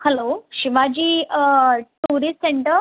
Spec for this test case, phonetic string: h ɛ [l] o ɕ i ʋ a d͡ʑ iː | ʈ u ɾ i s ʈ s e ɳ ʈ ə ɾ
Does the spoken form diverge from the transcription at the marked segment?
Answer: no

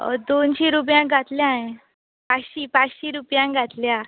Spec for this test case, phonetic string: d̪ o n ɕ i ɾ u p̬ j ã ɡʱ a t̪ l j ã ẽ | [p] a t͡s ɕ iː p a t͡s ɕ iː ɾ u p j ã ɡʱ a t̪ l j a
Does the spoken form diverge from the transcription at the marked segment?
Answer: no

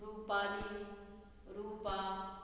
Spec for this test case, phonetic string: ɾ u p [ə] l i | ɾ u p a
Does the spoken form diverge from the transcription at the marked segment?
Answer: yes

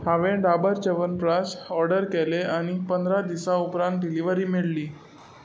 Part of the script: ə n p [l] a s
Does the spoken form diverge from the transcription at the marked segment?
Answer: yes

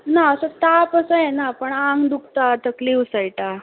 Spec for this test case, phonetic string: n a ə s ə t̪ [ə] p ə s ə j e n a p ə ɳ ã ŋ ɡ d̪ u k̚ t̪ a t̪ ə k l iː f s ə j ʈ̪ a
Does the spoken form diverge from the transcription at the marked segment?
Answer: yes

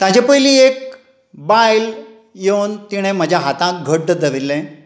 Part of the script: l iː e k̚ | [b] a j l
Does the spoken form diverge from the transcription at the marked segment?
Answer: no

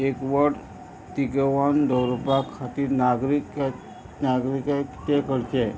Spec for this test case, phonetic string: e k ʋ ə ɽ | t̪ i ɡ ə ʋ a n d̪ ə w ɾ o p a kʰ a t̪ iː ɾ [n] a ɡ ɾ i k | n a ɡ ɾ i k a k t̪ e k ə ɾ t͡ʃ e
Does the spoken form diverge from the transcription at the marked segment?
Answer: no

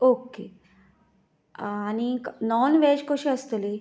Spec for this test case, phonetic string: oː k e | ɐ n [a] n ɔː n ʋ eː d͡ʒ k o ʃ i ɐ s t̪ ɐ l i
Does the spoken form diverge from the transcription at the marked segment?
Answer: yes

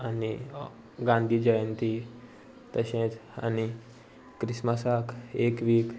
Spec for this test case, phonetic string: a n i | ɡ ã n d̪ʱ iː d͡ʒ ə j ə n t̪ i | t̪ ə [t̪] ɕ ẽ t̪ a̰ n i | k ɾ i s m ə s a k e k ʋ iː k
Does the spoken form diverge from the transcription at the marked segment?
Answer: yes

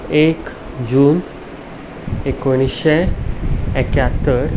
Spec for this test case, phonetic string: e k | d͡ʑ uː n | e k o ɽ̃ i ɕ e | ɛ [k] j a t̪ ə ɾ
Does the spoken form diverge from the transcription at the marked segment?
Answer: no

